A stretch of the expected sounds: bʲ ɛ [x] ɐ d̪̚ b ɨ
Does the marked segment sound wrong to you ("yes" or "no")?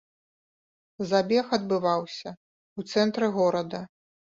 no